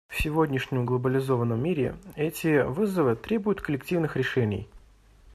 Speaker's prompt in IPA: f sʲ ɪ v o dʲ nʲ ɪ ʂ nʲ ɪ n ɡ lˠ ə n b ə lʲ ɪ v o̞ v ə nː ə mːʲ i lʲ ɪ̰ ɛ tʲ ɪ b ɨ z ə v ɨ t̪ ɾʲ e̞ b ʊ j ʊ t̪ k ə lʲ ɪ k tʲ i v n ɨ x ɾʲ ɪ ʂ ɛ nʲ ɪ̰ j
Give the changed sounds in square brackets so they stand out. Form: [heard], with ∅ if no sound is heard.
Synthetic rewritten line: f sʲ ɪ v o dʲ nʲ ɪ ʂ nʲ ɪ [m] ɡ lˠ ə [∅] b ə lʲ ɪ [z] o̞ v ə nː ə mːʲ i [ɾʲ] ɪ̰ ɛ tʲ ɪ [v] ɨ z ə v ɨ t̪ ɾʲ e̞ b ʊ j ʊ t̪ k ə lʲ ɪ k tʲ i v n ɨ x ɾʲ ɪ ʂ ɛ nʲ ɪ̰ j